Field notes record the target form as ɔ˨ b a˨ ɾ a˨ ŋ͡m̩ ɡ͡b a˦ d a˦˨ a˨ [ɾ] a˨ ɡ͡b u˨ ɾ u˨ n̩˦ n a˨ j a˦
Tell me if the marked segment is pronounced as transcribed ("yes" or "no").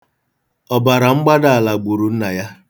no